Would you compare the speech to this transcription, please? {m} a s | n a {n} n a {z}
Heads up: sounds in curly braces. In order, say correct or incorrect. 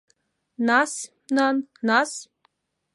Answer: incorrect, correct, incorrect

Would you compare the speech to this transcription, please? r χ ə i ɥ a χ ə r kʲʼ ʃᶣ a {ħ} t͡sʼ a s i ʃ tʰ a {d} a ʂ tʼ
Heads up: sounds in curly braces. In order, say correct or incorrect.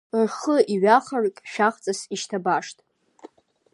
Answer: incorrect, incorrect

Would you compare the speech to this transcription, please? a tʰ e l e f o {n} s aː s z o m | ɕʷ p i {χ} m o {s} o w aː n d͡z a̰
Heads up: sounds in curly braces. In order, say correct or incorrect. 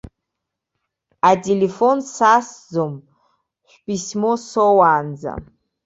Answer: correct, incorrect, correct

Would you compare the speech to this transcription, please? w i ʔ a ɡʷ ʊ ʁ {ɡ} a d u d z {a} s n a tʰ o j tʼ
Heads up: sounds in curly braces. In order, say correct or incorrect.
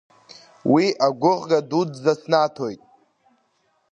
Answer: correct, correct

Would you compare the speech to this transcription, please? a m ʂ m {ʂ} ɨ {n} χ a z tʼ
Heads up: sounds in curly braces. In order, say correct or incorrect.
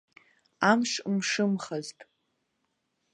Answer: correct, incorrect

